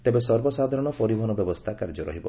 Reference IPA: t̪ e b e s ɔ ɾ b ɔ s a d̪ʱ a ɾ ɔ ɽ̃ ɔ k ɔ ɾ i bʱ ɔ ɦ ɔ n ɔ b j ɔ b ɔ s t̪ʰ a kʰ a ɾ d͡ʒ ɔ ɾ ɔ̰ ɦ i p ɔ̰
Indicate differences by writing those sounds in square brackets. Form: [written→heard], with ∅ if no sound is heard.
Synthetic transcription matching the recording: t̪ e b e s ɔ ɾ b ɔ s a d̪ʱ a ɾ ɔ ɽ̃ ɔ [k→p] ɔ ɾ i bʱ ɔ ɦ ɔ n ɔ b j ɔ b ɔ s t̪ʰ a [kʰ→k] a ɾ d͡ʒ ɔ ɾ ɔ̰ ɦ i [p→b] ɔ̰